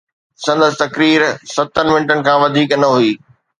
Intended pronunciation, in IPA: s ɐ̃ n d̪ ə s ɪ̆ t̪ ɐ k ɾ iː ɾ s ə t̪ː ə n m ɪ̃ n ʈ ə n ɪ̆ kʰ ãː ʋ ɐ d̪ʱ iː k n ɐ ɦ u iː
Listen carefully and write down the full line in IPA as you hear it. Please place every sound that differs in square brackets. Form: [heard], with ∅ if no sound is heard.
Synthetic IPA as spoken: s ɐ̃ n d̪ ə s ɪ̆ t̪ ɐ k ɾ iː ɾ s [ɐ] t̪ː ə n m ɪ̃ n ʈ ə n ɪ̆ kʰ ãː ʋ ɐ d̪ʱ iː k n ɐ ɦ u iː